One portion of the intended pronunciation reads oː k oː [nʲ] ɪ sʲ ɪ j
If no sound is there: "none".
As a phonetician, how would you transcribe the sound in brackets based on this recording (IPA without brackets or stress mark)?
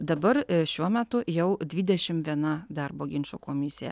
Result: mʲ